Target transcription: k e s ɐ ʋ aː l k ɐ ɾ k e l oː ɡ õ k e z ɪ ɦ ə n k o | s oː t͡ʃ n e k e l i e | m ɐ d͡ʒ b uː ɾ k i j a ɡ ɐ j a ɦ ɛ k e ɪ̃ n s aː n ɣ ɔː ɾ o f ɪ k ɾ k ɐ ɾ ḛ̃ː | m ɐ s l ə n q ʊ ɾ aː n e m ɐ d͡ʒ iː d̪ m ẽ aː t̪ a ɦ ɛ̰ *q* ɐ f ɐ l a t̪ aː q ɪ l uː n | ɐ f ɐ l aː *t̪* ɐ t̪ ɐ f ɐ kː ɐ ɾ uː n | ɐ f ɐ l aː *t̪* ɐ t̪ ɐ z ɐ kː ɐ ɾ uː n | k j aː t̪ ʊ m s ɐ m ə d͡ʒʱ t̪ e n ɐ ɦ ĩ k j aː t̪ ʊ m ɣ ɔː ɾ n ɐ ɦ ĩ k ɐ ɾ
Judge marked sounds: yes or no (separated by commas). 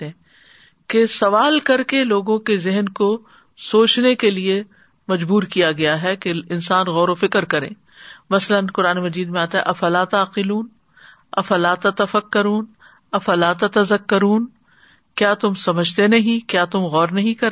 no, yes, yes